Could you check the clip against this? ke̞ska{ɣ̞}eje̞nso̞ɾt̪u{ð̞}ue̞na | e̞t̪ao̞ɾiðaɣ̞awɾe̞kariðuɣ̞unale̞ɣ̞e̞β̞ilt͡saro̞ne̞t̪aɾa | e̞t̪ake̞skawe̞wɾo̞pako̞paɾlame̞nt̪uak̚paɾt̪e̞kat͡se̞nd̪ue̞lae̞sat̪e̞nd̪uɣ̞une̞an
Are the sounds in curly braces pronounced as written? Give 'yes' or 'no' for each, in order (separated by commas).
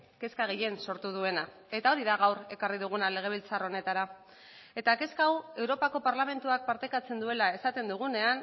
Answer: yes, yes